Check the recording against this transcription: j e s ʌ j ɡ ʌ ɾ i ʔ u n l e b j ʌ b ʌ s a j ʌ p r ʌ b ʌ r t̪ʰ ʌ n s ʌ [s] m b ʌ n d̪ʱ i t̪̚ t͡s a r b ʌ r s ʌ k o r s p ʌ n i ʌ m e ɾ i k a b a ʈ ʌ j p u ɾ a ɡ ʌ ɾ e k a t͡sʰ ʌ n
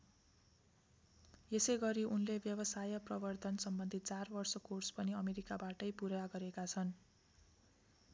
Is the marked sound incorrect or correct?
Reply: incorrect